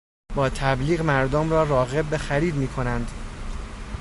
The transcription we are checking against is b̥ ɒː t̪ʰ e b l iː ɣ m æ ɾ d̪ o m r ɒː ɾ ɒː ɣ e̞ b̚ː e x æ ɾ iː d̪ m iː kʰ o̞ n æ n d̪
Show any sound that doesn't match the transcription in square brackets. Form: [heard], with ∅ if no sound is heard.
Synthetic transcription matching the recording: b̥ ɒː t̪ʰ [æ] b l iː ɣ m æ ɾ d̪ o m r ɒː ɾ ɒː ɣ e̞ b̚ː e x æ ɾ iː d̪ m iː kʰ o̞ n æ n d̪